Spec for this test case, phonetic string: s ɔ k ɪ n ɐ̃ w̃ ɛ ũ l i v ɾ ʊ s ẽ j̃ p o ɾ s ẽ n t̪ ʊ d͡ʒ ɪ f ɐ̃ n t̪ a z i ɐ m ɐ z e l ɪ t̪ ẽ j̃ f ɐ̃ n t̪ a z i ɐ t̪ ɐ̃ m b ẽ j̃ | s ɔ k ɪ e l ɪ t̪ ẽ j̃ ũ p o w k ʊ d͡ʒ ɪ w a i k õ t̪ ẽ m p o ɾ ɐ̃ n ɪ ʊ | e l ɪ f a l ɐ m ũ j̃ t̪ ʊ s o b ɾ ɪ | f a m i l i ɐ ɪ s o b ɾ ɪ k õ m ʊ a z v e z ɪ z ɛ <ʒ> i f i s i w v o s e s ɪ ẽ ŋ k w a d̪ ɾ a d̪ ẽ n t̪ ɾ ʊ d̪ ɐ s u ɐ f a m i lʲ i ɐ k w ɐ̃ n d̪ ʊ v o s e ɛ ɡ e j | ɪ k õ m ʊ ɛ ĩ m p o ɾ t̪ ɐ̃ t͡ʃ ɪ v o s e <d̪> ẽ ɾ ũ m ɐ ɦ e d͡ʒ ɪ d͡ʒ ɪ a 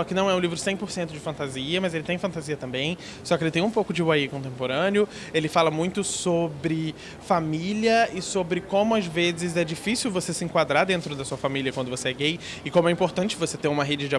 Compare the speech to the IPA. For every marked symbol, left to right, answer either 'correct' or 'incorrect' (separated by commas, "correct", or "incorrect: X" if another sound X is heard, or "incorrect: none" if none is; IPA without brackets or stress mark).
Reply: incorrect: d͡ʒ, incorrect: t̪